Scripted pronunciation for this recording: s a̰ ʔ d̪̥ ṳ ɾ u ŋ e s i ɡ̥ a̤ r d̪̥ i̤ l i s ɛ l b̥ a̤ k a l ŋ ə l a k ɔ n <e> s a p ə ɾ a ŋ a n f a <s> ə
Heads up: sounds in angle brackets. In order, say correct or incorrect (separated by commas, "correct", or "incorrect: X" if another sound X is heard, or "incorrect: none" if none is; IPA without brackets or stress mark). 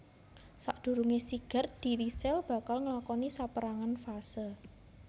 incorrect: i, correct